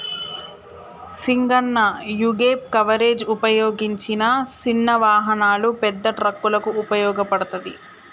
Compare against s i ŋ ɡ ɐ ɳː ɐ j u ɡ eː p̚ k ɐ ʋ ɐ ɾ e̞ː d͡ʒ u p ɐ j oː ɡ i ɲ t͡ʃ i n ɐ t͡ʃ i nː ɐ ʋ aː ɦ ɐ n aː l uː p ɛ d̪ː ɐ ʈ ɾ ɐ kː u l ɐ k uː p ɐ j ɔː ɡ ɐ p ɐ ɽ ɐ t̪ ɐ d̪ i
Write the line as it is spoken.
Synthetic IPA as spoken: s i ŋ ɡ ɐ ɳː ɐ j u ɡ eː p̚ k ɐ ʋ ɐ ɾ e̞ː d͡ʒ u p ɐ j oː ɡ i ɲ t͡ʃ i n ɐ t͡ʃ i nː ɐ ʋ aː ɦ ɐ n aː l u p ɛ d̪ː ɐ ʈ ɾ ɐ kː u l ɐ k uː p ɐ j ɔː ɡ ɐ p ɐ ɽ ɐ t̪ ɐ d̪ i

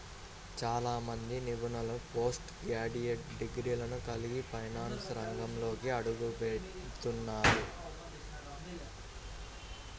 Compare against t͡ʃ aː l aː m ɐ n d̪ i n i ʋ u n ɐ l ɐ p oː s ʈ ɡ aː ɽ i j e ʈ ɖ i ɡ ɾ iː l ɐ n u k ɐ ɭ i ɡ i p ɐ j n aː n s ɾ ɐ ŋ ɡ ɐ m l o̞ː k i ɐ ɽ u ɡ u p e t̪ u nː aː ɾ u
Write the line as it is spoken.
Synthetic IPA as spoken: t͡ʃ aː l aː m ɐ n d̪ i n i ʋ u n ɐ l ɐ p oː s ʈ ɡ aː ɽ i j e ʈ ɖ i ɡ ɾ iː l ɐ n u k ɐ l i ɡ i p ɐ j n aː n s ɾ ɐ ŋ ɡ ɐ m l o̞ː k i ɐ ɽ u ɡ u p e t̪ u nː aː ɾ u

